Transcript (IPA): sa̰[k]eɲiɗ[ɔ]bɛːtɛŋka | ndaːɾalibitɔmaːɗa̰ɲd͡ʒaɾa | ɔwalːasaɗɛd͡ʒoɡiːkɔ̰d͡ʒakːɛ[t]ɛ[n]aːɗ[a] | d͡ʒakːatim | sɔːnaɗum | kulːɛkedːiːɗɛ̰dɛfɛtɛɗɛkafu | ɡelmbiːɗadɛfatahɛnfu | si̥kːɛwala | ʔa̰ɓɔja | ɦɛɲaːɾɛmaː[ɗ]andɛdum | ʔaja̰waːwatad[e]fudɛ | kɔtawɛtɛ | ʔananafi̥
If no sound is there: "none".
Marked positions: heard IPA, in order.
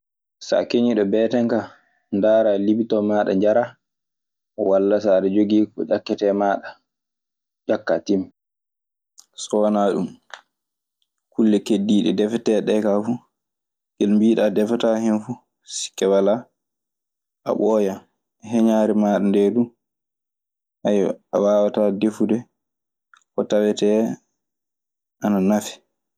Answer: k, ɔ, t, m, a, ɗ, e

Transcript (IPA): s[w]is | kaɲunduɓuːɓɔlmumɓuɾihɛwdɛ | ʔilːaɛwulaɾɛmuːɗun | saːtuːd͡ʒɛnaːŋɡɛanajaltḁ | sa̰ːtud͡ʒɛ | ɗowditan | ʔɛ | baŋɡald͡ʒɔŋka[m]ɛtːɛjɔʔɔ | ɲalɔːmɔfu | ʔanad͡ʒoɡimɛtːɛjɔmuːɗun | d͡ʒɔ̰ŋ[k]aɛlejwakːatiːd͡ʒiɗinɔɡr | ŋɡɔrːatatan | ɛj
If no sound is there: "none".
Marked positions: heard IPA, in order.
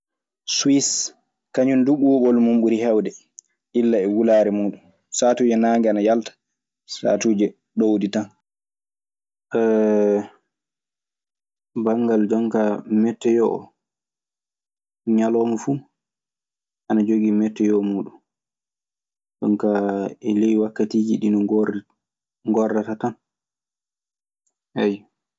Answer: w, m, k

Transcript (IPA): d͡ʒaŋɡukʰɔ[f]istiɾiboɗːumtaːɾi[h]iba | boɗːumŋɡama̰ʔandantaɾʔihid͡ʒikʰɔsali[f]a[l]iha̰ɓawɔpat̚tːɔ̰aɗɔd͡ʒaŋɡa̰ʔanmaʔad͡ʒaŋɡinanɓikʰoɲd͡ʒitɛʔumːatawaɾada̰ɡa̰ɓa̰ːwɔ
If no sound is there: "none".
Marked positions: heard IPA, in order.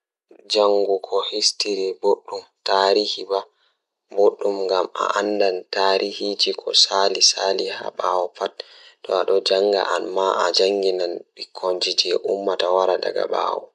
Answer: h, h, s, l

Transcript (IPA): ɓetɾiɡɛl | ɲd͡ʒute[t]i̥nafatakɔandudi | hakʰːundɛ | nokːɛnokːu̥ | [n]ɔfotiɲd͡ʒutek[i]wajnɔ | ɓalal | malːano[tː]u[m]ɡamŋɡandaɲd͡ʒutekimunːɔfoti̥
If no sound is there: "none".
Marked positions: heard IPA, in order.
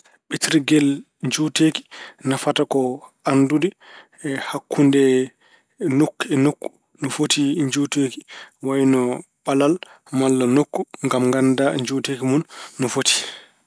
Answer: k, n, i, kː, ŋ

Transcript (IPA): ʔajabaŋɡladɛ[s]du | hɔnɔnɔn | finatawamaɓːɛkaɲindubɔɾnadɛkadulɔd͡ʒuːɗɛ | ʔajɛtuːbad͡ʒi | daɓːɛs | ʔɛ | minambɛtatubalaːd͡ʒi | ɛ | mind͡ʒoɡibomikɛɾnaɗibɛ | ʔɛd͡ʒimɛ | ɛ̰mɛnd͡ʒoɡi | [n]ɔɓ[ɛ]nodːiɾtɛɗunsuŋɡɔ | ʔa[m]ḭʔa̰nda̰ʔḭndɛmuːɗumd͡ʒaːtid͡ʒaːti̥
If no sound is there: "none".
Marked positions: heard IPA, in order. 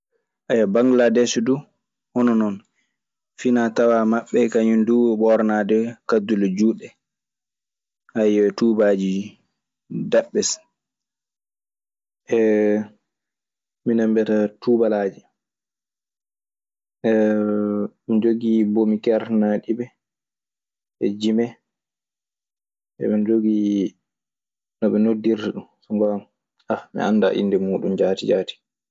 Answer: s, n, ɛ, m

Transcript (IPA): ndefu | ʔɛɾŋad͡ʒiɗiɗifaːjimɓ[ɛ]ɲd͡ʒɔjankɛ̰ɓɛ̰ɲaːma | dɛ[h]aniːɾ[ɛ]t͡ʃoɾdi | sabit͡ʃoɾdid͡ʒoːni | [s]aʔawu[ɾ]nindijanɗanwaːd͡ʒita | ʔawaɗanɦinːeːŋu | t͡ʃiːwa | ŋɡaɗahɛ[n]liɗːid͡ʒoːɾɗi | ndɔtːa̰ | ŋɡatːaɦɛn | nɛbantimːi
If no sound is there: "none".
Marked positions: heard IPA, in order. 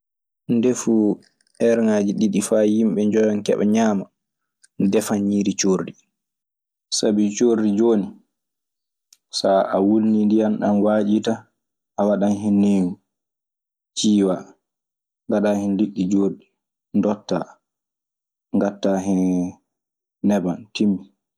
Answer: ɛ, f, i, s, l, n

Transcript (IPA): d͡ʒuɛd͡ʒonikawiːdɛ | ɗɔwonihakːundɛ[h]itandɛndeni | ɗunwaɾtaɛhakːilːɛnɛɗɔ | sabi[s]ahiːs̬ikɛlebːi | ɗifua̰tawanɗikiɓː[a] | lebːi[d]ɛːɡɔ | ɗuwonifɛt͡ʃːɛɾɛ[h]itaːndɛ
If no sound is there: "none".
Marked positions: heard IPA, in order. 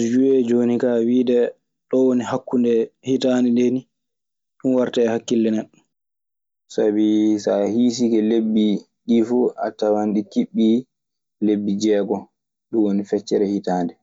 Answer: h, s, i, d͡ʒ, h

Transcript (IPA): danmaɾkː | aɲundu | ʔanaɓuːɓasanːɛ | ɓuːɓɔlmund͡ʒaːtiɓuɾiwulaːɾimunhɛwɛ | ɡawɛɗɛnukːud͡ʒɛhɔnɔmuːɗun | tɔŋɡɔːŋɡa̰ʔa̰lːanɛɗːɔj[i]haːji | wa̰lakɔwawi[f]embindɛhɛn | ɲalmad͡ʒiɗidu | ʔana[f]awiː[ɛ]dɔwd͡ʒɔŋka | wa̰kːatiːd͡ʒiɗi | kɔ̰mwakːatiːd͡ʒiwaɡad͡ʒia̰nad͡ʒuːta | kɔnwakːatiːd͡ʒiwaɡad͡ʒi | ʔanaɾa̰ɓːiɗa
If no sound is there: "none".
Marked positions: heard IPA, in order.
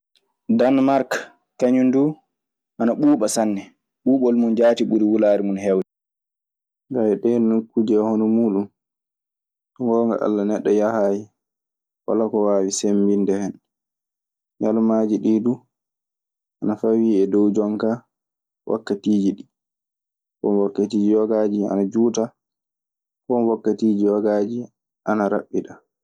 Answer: a, s, f, ɛ

